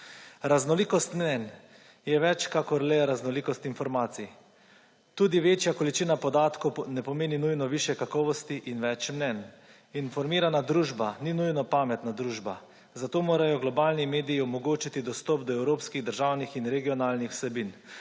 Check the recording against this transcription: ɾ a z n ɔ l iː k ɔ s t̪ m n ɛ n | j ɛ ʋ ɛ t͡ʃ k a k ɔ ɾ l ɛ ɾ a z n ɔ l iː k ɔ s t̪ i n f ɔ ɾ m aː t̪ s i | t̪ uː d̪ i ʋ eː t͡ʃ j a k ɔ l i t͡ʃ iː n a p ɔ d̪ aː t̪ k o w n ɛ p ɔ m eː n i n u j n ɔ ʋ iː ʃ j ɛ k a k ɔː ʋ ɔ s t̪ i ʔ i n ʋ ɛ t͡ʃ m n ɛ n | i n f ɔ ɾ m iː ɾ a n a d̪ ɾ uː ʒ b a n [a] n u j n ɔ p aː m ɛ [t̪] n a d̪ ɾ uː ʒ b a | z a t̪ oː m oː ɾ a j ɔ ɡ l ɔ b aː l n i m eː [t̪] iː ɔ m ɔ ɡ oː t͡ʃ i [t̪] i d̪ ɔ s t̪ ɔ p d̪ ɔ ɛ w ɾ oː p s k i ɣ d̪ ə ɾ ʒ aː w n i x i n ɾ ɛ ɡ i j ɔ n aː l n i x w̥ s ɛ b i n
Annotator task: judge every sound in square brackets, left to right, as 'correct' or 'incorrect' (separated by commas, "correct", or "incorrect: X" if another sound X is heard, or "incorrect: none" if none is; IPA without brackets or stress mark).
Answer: incorrect: i, correct, incorrect: d̪, correct